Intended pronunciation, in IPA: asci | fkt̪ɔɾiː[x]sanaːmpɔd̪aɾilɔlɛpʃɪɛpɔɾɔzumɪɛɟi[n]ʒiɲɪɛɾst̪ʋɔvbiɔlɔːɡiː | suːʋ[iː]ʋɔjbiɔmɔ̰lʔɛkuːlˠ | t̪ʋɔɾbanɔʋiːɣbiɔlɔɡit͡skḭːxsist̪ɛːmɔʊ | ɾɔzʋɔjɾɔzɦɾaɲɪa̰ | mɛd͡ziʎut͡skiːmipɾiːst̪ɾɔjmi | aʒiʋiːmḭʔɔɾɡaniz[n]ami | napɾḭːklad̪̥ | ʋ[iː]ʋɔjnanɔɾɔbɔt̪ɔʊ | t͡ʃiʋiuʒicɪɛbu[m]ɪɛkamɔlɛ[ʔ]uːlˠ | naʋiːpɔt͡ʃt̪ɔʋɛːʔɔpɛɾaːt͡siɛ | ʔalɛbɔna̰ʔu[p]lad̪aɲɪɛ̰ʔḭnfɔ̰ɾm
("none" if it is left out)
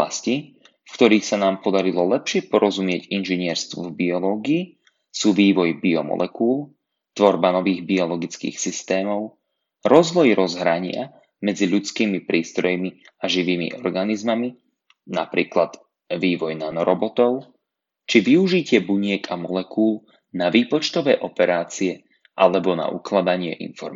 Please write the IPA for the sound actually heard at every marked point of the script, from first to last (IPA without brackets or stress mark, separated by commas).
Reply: x, n, iː, m, iː, ɲ, k, k